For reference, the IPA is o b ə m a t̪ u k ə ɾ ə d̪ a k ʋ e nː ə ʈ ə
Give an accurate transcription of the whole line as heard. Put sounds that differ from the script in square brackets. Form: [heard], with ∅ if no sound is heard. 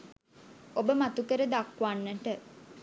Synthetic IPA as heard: o b ə m a t̪ u k ə ɾ ə d̪ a k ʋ [a] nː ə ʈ ə